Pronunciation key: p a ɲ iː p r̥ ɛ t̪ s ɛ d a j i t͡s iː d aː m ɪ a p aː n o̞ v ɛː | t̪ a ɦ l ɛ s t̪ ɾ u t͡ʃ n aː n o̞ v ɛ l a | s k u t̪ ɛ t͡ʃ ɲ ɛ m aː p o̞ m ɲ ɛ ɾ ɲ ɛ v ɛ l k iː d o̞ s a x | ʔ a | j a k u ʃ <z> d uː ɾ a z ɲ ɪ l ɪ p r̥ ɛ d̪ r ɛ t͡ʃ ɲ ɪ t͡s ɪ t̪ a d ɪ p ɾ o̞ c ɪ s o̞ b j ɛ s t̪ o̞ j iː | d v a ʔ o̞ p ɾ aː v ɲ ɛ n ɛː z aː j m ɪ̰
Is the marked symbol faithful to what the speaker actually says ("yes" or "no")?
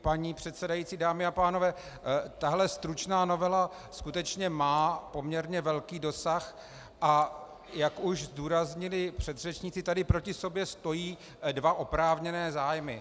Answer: yes